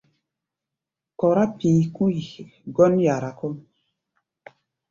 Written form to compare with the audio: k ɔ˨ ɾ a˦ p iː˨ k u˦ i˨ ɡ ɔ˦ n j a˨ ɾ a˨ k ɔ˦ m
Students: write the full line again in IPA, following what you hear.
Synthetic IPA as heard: k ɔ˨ ɾ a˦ p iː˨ k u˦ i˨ ɡ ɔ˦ n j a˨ ɾ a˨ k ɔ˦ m